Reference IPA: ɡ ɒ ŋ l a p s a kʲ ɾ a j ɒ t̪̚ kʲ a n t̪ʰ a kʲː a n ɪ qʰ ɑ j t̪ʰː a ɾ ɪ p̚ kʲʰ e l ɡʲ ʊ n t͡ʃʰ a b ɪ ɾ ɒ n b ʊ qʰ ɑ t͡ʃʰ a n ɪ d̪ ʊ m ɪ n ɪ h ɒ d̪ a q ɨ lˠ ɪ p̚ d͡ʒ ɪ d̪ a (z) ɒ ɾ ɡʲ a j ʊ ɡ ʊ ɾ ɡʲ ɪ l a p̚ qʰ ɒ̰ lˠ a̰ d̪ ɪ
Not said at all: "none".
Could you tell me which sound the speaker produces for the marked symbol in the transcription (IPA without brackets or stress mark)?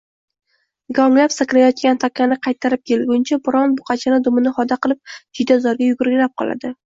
z